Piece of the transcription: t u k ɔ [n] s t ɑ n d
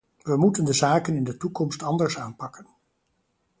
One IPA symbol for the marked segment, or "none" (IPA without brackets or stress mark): m